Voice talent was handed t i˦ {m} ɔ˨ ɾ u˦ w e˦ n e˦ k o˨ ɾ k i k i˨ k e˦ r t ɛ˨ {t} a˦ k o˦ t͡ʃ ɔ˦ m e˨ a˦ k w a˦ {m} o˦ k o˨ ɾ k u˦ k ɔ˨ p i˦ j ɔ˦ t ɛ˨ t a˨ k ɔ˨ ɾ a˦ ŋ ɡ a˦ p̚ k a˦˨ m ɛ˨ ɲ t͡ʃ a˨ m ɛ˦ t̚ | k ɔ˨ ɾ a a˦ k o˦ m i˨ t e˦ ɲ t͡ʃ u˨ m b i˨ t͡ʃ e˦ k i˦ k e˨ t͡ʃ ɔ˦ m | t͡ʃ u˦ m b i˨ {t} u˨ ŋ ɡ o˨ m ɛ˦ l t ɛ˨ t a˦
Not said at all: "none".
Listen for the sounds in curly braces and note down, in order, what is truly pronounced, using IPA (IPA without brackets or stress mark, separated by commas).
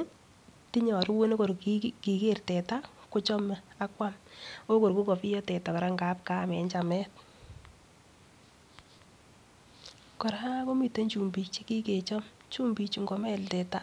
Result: ɲ, t, m, t͡ʃ